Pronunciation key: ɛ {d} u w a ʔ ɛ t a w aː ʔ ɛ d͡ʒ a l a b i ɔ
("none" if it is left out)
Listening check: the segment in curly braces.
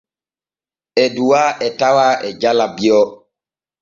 d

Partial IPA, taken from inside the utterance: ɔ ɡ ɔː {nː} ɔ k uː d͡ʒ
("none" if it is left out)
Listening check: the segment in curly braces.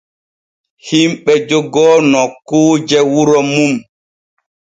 n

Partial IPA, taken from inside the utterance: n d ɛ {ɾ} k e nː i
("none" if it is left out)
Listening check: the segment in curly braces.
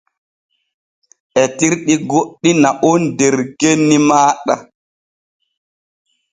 ɾ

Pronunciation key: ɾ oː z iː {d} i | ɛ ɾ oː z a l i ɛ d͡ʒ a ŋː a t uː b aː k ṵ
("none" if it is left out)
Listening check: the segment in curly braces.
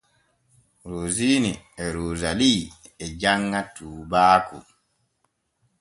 n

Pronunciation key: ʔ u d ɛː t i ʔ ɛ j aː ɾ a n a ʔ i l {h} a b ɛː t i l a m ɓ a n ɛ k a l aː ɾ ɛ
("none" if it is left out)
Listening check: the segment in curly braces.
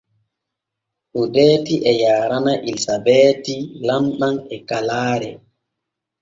s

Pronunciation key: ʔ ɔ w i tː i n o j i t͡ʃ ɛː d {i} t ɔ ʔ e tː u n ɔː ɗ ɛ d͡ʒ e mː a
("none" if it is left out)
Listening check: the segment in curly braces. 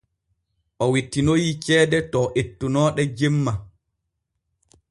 ɛ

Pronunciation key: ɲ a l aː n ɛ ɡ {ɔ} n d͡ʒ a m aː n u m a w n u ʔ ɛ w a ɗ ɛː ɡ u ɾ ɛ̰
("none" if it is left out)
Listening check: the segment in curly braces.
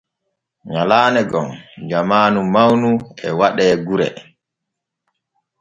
ɔ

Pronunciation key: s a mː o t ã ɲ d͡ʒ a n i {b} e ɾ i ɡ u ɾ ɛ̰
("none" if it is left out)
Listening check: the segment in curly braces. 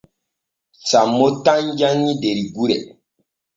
d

